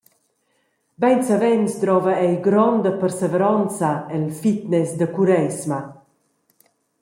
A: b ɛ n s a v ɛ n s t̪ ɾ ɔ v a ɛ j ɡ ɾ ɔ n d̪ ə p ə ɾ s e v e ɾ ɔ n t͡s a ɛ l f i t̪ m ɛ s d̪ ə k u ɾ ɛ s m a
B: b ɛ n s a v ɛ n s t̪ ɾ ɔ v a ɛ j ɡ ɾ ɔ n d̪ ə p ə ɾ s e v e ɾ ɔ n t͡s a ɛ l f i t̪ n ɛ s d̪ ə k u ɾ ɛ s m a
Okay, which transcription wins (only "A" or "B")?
B